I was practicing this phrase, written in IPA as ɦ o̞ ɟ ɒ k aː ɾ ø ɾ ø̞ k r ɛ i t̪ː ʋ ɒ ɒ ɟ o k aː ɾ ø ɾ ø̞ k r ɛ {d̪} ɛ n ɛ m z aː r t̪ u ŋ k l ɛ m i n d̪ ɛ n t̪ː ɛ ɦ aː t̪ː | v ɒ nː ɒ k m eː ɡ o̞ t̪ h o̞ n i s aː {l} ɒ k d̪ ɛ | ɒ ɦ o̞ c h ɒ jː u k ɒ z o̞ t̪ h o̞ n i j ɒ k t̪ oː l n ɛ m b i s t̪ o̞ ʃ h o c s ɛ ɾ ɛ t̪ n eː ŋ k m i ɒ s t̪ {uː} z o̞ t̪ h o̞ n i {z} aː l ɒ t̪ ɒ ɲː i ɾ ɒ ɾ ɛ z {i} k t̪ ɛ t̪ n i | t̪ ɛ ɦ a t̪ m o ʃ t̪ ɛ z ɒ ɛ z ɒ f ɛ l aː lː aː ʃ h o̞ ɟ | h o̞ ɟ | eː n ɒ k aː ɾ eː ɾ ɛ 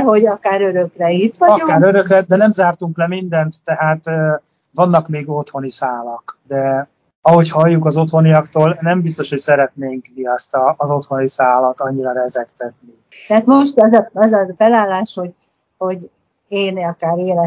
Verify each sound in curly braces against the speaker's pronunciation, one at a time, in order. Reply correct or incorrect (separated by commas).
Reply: correct, correct, incorrect, incorrect, incorrect